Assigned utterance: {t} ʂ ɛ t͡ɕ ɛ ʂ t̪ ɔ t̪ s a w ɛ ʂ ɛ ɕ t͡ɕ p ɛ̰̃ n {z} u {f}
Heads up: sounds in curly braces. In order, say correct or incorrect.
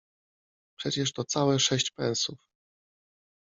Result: incorrect: p, incorrect: s, correct

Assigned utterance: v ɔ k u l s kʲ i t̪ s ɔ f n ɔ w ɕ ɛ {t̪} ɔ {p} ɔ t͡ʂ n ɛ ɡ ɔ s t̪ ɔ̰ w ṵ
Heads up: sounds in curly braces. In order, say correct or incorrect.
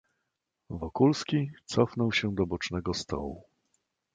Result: incorrect: d̪, incorrect: b

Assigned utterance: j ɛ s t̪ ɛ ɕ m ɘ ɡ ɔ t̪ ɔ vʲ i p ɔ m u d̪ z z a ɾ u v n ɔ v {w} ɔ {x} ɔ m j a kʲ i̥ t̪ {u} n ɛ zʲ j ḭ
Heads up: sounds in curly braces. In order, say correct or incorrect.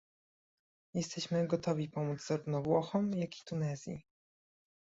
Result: correct, correct, correct

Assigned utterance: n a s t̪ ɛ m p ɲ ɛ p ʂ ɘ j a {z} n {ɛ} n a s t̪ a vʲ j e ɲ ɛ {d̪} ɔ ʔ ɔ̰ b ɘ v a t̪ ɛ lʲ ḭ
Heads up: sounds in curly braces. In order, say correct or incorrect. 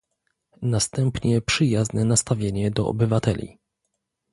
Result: correct, correct, correct

